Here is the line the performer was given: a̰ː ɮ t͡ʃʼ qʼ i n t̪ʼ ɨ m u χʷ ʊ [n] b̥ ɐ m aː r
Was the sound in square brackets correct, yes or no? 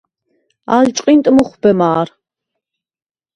no